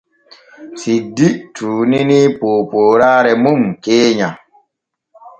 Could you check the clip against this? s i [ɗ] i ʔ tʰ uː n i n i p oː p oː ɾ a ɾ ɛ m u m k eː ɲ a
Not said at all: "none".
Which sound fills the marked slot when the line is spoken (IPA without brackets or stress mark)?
d